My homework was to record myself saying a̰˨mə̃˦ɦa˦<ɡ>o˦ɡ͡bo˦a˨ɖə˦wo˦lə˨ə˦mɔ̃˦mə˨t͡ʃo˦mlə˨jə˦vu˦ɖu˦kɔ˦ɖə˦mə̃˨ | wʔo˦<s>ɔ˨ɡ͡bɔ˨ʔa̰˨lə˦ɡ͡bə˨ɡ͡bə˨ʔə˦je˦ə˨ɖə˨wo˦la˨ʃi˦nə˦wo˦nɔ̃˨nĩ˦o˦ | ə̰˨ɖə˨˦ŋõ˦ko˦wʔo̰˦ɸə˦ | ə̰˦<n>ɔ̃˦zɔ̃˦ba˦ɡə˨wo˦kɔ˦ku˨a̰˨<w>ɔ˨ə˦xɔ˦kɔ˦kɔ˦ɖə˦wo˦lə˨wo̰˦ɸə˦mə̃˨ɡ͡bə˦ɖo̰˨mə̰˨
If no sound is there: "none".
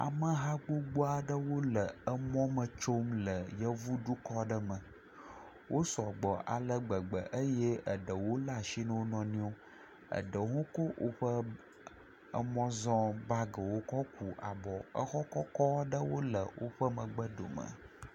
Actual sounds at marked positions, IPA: ɡ͡b, s, m, b

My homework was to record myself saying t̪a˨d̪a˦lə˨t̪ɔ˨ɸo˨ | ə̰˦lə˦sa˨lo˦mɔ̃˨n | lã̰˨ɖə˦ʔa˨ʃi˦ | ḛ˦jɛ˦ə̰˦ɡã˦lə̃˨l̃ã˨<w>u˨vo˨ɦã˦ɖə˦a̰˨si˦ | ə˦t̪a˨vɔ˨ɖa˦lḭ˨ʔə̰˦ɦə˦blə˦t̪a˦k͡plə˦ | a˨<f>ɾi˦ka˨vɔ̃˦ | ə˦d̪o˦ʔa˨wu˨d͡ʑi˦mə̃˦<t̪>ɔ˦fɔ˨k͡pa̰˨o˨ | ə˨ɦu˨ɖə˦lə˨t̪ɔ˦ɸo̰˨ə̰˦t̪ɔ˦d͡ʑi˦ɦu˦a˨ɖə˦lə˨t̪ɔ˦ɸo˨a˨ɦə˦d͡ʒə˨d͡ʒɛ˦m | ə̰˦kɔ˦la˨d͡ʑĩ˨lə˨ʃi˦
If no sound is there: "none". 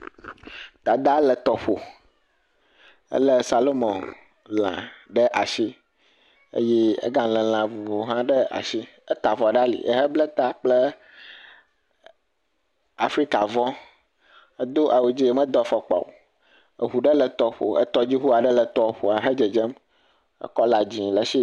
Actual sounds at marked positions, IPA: v, f, d̪

